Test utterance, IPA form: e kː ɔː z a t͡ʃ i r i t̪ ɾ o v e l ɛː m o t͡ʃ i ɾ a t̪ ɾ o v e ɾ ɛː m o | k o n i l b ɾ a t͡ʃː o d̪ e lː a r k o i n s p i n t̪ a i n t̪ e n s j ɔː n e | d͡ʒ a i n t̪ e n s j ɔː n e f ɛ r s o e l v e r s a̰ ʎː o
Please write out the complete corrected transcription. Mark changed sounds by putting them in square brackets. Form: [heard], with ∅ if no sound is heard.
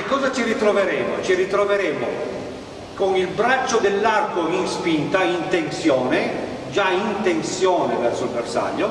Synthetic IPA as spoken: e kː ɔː z a t͡ʃ i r i t̪ ɾ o v e [ɾ] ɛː m o t͡ʃ i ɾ [i] t̪ ɾ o v e ɾ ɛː m o | k o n i l b ɾ a t͡ʃː o d̪ e lː a r k o i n s p i n t̪ a i n t̪ e n s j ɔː n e | d͡ʒ a i n t̪ e n s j ɔː n e [v] ɛ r s o [i] l v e r s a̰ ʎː o